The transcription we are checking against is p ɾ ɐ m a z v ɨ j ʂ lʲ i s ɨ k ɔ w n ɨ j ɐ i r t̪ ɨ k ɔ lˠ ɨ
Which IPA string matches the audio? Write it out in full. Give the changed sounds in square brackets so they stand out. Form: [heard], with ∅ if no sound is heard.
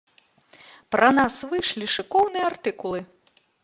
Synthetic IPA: p ɾ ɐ [n] a [s] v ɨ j ʂ lʲ i [ʂ] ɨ k ɔ w n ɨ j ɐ [a] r t̪ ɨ k [u] lˠ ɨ